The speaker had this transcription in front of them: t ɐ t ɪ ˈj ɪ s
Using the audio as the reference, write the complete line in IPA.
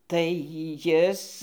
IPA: t ɐ ɪ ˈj ɪ s